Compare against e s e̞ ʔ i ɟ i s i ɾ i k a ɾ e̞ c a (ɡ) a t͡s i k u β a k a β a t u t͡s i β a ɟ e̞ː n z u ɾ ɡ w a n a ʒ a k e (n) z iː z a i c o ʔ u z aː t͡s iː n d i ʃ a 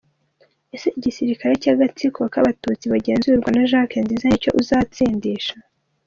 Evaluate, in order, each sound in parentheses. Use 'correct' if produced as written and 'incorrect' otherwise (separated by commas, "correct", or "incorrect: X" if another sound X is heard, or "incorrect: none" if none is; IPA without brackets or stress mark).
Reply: correct, correct